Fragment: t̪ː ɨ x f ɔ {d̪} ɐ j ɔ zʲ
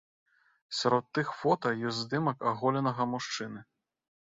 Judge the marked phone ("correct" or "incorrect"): incorrect